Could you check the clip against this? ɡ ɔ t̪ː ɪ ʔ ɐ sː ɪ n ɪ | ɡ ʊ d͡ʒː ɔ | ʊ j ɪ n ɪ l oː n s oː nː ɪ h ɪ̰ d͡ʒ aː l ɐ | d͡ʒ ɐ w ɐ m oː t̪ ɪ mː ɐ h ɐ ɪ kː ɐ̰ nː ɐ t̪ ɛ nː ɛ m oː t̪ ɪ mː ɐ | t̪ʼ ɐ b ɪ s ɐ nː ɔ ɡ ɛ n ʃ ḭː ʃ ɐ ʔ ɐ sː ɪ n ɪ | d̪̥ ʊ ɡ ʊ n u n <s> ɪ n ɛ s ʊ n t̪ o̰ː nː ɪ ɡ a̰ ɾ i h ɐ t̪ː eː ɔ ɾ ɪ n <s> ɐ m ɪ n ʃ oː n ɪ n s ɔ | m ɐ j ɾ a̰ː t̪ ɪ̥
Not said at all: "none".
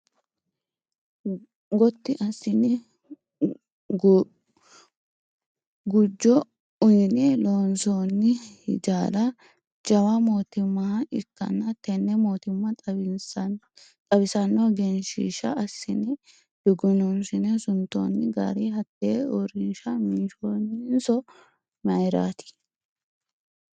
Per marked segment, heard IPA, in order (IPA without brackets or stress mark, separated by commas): s, ʃ